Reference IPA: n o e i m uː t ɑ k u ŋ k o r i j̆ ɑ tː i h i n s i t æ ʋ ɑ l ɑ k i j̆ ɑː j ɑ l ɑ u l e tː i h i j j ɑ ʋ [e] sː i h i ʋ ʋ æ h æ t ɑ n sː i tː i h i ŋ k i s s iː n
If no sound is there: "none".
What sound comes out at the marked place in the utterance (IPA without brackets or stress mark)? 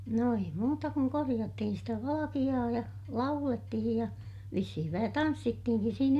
i